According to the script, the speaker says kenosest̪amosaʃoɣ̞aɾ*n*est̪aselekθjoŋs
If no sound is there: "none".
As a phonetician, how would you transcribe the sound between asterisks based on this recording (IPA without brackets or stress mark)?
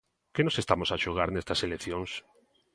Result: n